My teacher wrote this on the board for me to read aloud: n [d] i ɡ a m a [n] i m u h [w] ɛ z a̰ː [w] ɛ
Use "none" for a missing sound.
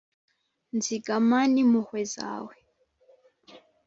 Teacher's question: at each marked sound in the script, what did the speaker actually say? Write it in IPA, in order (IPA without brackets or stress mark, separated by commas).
d͡z, n, w, w